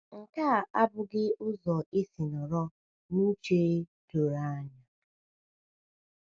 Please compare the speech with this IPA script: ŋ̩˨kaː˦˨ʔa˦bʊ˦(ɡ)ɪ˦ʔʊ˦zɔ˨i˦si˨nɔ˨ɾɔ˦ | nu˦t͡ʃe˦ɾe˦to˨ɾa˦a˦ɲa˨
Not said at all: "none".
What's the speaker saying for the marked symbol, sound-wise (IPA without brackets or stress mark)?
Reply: ɡ